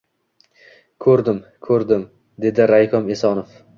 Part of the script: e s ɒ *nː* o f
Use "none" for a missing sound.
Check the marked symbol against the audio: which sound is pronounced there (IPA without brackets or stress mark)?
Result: n